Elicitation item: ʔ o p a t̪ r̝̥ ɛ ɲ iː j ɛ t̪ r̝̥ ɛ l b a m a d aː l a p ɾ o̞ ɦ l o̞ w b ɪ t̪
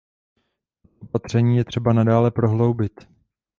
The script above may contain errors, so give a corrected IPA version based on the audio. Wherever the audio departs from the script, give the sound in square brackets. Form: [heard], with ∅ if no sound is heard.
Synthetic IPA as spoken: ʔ o p a t̪ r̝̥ ɛ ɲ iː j ɛ t̪ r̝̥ ɛ [∅] b a [n] a d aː l [ɛ] p ɾ o̞ ɦ l o̞ w b ɪ t̪